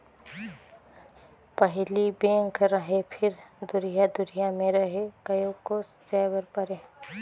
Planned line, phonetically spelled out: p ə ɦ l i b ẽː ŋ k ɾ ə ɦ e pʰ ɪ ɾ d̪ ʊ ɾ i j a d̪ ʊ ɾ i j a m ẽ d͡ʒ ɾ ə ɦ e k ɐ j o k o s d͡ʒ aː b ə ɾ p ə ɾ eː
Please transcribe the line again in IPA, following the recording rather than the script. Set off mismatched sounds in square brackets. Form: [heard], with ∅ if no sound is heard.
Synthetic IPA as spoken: p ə ɦ l i b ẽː ŋ k ɾ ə ɦ e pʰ ɪ ɾ d̪ ʊ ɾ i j a d̪ ʊ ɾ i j a m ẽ [∅] ɾ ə ɦ e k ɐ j o k o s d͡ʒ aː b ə ɾ p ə ɾ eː